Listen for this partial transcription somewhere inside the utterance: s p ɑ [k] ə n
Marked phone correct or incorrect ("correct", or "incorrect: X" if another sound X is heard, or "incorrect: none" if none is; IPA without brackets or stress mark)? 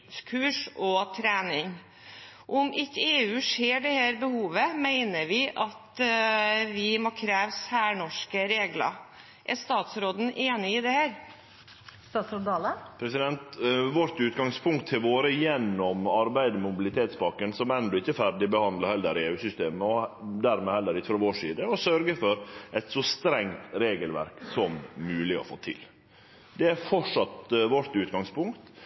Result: correct